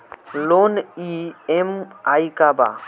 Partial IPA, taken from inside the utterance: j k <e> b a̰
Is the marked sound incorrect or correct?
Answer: incorrect